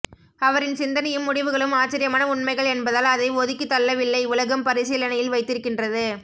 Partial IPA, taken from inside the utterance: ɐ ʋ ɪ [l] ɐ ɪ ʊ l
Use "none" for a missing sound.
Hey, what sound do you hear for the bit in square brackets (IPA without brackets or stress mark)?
lː